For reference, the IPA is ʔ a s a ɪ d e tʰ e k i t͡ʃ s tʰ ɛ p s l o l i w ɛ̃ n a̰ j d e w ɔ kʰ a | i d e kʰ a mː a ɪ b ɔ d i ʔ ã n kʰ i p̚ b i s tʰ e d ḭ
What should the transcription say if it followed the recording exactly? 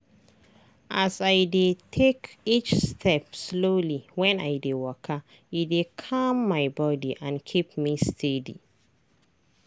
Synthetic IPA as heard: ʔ a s a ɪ d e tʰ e k i t͡ʃ s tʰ ɛ p s l o l i w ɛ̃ n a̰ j d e w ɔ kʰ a | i d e kʰ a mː a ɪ b ɔ d i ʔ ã n kʰ i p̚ m i s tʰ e d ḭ